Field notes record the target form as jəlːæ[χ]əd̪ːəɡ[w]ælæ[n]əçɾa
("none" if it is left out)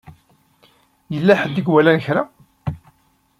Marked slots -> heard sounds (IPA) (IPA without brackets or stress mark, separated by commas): ħ, w, n